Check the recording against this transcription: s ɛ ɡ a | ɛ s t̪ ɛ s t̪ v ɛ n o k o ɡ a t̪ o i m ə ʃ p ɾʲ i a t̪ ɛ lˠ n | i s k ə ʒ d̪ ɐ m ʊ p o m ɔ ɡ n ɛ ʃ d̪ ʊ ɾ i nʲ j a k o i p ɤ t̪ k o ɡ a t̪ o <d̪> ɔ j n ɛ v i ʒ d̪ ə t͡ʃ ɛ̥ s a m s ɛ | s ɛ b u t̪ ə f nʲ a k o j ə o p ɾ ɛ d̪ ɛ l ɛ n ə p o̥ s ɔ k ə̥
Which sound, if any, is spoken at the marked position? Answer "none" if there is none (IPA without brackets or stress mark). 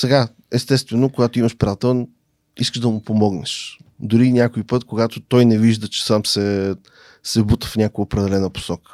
t̪